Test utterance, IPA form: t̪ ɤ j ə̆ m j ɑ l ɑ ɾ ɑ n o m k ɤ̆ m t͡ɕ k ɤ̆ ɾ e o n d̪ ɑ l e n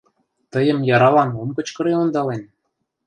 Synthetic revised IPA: t̪ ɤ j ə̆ m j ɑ ɾ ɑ l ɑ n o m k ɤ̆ t͡ɕ k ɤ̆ ɾ e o n d̪ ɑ l e n